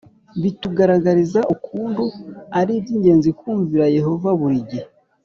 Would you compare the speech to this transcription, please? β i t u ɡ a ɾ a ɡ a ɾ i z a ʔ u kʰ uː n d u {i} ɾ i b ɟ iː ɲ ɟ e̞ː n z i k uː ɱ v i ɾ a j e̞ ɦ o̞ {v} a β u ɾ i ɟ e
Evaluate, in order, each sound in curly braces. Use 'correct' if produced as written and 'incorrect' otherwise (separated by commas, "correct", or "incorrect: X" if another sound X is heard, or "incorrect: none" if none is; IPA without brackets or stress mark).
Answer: incorrect: a, correct